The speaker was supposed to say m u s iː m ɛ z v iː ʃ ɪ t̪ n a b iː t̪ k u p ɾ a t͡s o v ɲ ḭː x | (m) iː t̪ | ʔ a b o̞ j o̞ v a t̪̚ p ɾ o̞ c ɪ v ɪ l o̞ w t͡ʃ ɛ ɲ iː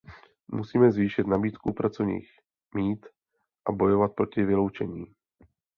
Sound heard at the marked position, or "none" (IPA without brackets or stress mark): m